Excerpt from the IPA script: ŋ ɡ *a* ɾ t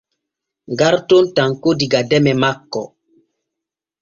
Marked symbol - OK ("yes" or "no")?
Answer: yes